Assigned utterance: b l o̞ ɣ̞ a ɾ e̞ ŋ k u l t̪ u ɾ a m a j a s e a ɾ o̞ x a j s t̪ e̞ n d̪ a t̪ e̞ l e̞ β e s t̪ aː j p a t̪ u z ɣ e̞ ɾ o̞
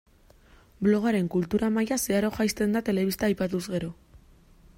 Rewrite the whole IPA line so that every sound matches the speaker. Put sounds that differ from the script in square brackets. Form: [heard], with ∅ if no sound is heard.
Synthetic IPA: b l o̞ ɣ̞ a ɾ e̞ ŋ k u l t̪ u ɾ a m a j a s e a ɾ o̞ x a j s t̪ e̞ n d̪ a t̪ e̞ l e̞ β [i] s t̪ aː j p a t̪ u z ɣ e̞ ɾ o̞

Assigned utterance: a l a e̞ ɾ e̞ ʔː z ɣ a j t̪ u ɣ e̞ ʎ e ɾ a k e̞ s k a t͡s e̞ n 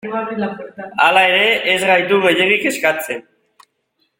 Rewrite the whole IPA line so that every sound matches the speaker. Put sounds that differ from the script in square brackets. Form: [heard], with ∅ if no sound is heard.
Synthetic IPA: a l a e̞ ɾ e̞ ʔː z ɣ a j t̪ u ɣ e̞ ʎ e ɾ [i] k e̞ s k a t͡s e̞ n

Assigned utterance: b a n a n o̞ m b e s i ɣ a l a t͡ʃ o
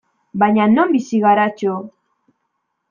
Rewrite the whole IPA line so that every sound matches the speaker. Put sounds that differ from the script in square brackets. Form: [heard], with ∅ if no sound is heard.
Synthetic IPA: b a [ɲ] a n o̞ m b [i] s i ɣ a [ɾ] a t͡ʃ o

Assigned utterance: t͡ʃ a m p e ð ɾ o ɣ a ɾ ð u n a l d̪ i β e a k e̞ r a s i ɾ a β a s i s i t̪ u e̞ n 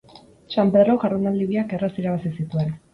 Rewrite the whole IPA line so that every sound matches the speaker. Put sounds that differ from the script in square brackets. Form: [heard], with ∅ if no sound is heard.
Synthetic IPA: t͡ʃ a m p e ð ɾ o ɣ a ɾ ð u n a l d̪ i β [i] a k e̞ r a s i ɾ a β a s i s i t̪ u e̞ n

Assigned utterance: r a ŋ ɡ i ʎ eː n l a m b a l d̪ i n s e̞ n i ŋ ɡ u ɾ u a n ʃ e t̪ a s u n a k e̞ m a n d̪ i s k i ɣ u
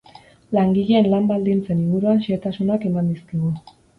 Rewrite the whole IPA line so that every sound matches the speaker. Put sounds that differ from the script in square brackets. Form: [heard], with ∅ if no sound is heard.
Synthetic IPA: [l] a ŋ ɡ i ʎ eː n l a m b a l d̪ i n [t͡s] e̞ n i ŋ ɡ u ɾ u a n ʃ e t̪ a s u n a k e̞ m a n d̪ i s k i ɣ u

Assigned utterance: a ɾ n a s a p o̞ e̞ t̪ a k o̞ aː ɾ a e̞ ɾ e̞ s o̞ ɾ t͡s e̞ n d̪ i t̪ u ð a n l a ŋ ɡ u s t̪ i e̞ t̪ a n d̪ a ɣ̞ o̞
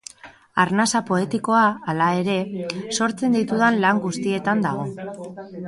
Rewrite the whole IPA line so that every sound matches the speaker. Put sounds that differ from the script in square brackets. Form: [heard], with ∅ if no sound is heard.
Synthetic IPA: a ɾ n a s a p o̞ e̞ t̪ [i] k o̞ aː [l] a e̞ ɾ e̞ s o̞ ɾ t͡s e̞ n d̪ i t̪ u ð a n l a ŋ ɡ u s t̪ i e̞ t̪ a n d̪ a ɣ̞ o̞

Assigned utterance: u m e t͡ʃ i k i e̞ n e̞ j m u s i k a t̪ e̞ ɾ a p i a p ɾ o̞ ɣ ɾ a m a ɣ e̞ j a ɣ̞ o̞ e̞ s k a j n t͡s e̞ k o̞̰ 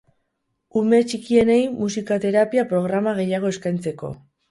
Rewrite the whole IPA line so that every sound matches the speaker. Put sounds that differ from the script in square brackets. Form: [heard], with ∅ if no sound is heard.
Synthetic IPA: u m e t͡ʃ i k i e̞ n e̞ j m u s i k a t̪ e̞ ɾ a p i a p ɾ o̞ ɣ ɾ a m a ɣ e̞ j a ɣ̞ o̞ e̞ s k a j n t͡s e̞ k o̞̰

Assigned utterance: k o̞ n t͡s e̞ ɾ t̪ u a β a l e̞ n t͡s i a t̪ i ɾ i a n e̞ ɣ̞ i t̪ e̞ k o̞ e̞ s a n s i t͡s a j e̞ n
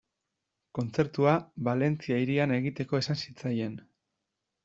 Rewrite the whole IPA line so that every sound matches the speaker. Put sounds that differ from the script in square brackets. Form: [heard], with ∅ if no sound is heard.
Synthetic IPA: k o̞ n t͡s e̞ ɾ t̪ u a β a l e̞ n t͡s i a [∅] i ɾ i a n e̞ ɣ̞ i t̪ e̞ k o̞ e̞ s a n s i t͡s a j e̞ n

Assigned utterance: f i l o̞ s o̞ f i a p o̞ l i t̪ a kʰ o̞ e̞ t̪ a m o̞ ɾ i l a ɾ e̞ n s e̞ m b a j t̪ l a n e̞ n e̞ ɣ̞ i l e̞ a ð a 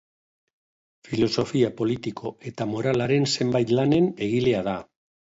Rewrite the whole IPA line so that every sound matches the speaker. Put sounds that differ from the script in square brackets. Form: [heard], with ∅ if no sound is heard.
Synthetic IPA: f i l o̞ s o̞ f i a p o̞ l i t̪ [i] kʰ o̞ e̞ t̪ a m o̞ ɾ [a] l a ɾ e̞ n s e̞ m b a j t̪ l a n e̞ n e̞ ɣ̞ i l e̞ a ð a

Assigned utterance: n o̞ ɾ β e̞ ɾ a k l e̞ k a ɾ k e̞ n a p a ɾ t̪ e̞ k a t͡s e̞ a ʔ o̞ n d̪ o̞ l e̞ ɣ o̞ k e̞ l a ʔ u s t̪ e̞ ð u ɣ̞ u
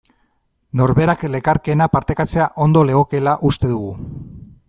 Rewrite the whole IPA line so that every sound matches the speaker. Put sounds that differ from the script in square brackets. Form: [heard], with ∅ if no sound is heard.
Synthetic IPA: n o̞ ɾ β e̞ ɾ a k l e̞ k a ɾ k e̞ n a p a ɾ t̪ e̞ k a t͡s e̞ a ʔ o̞ n d̪ o̞ l e̞ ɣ o̞ k e̞ l a ʔ u s t̪ e̞ ð u ɣ̞ u

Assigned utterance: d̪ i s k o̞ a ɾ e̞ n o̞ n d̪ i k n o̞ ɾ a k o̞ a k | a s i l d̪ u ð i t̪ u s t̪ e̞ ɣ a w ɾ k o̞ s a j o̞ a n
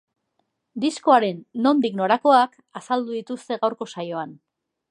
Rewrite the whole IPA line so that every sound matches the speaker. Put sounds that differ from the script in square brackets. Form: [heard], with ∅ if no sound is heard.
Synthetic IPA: d̪ i s k o̞ a ɾ e̞ [nː] o̞ n d̪ i k n o̞ ɾ a k o̞ a k | a s [a] l d̪ u ð i t̪ u s t̪ e̞ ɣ a w ɾ k o̞ s a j o̞ a n

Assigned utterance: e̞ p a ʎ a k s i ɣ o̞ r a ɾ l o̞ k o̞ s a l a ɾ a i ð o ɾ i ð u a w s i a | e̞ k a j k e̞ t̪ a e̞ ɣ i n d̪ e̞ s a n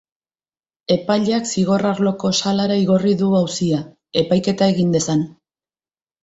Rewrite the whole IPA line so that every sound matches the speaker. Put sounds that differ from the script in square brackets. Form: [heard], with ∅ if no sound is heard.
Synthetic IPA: e̞ p a ʎ a k s i ɣ o̞ r a ɾ l o̞ k o̞ s a l a ɾ a i [ɣ] o [r] i ð u a w s i a | e̞ [p] a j k e̞ t̪ a e̞ ɣ i n d̪ e̞ s a n

